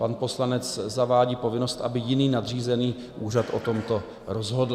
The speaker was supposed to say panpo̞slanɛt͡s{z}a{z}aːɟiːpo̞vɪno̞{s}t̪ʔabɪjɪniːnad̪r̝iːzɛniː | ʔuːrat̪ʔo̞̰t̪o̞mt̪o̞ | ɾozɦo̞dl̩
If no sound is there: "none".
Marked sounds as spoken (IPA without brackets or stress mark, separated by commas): z, v, s